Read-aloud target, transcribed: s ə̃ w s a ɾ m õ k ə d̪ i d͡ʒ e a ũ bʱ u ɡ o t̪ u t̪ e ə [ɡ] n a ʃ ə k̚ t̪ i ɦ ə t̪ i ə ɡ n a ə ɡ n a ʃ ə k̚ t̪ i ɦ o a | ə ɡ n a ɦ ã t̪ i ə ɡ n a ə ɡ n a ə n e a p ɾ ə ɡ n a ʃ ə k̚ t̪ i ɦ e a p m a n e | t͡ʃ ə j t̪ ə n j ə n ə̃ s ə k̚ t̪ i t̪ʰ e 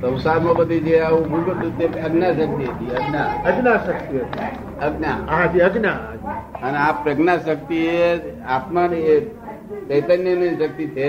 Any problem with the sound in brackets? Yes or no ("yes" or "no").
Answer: no